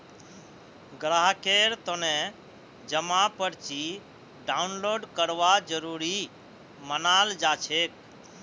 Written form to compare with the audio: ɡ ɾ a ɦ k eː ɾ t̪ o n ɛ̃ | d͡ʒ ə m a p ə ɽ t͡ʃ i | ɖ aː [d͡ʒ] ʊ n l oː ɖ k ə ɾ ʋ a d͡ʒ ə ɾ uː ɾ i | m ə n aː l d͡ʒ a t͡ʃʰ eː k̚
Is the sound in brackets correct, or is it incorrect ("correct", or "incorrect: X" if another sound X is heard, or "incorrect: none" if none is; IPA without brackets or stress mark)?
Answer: incorrect: none